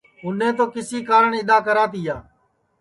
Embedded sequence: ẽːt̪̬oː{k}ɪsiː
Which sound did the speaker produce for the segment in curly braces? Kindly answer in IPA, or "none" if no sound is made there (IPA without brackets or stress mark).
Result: k